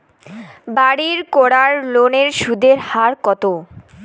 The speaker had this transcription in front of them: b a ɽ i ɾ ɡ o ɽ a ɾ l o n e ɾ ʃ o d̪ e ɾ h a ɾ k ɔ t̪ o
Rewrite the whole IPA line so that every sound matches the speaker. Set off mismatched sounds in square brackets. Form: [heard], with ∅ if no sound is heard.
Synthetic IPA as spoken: b a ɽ i ɾ [k] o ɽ a ɾ l o n e ɾ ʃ [u] d̪ e ɾ h a ɾ k ɔ t̪ o